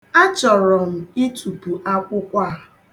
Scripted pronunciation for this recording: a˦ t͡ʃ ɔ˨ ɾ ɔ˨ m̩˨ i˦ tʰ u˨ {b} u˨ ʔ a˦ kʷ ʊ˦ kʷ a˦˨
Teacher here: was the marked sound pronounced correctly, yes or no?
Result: no